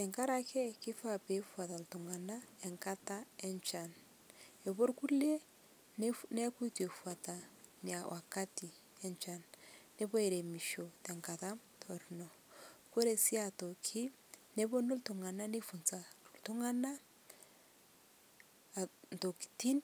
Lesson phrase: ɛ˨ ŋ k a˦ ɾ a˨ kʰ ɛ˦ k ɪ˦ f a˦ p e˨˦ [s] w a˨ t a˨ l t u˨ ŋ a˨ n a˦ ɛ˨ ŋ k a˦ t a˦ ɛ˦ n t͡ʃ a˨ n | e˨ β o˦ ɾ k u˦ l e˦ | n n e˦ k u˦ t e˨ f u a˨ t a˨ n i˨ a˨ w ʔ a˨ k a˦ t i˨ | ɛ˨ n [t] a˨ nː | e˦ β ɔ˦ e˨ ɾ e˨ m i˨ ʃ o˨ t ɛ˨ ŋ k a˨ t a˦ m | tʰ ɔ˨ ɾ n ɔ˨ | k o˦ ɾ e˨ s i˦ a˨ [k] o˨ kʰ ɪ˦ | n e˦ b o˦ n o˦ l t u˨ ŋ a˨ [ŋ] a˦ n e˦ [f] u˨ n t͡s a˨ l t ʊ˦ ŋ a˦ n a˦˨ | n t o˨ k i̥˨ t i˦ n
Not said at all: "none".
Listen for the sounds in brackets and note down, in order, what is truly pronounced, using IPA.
f, t͡ʃ, t, n, f

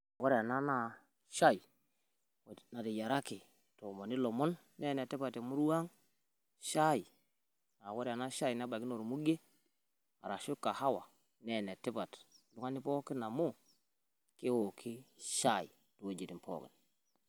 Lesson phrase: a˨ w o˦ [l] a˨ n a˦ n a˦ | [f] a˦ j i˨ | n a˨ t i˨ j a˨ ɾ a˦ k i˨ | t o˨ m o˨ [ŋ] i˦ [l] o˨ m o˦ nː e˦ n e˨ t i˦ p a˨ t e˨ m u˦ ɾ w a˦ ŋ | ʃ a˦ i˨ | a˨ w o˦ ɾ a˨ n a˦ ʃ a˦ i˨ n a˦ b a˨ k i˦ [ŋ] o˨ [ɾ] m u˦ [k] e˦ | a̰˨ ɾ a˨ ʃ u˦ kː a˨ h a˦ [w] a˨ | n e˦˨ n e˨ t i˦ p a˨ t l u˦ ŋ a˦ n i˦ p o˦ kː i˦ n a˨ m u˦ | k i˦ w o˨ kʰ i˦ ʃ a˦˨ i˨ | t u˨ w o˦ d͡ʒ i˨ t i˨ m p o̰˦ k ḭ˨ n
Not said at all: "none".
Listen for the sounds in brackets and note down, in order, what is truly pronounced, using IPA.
ɾ, ʃ, n, l, n, ɾ, ɡ, w

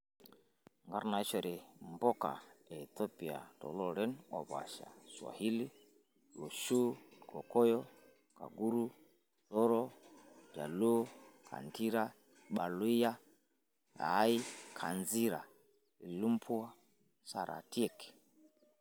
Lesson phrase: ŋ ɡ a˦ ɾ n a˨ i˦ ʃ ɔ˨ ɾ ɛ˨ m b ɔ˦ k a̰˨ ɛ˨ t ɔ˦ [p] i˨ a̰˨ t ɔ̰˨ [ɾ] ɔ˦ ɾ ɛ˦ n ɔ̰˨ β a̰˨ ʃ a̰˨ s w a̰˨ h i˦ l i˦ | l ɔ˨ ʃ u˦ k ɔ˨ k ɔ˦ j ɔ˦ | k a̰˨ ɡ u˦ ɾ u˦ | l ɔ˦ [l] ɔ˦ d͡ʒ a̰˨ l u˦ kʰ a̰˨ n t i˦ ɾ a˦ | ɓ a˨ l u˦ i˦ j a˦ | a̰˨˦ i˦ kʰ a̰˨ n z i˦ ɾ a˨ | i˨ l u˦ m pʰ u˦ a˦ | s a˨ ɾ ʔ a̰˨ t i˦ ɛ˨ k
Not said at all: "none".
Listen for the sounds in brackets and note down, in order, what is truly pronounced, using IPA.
p, l, ɾ

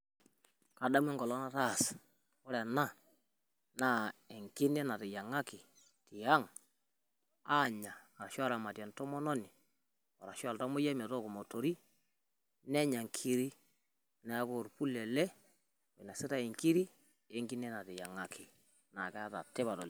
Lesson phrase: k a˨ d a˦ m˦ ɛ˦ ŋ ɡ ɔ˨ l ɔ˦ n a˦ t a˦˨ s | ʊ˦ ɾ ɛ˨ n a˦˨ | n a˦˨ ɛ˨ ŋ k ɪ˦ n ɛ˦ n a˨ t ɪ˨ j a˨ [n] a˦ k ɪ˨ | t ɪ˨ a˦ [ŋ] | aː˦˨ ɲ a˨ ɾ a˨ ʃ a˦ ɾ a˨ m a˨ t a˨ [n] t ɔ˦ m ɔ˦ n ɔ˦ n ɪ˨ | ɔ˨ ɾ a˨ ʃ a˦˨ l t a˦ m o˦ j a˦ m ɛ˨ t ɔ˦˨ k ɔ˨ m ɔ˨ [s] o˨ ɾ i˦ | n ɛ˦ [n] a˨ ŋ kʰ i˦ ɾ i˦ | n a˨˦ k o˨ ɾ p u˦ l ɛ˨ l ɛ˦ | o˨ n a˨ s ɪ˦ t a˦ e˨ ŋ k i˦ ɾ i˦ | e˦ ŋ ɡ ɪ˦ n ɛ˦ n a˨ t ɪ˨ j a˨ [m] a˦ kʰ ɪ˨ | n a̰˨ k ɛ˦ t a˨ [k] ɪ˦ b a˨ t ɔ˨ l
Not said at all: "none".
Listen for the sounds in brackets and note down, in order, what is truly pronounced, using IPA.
ŋ, ŋ, n, t, ɲ, ŋ, t

